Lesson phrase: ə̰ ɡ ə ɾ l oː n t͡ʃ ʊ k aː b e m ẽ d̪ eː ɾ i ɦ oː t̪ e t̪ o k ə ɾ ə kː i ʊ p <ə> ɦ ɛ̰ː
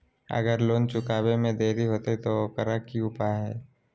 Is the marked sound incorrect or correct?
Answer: incorrect